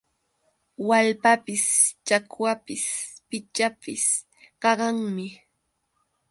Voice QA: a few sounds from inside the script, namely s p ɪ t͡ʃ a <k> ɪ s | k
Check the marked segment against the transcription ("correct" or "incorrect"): incorrect